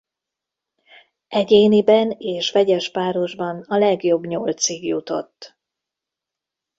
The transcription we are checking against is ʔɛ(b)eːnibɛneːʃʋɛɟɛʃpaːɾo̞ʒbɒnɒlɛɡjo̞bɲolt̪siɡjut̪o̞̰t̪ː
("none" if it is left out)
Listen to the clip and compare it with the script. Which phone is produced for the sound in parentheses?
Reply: ɟ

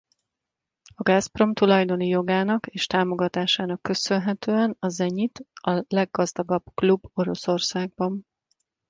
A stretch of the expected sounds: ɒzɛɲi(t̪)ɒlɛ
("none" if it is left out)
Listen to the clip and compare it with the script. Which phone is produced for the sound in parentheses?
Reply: t̪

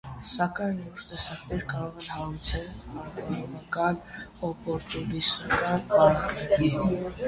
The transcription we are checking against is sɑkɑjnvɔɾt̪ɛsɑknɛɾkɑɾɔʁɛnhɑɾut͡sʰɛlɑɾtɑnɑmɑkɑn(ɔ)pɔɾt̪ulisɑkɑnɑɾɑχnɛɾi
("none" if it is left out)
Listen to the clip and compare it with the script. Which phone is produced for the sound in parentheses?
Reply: ɔ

